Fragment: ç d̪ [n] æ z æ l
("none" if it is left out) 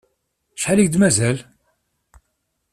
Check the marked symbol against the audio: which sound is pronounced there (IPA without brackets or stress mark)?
m